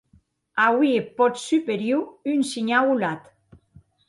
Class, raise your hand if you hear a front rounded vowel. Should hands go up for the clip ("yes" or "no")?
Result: yes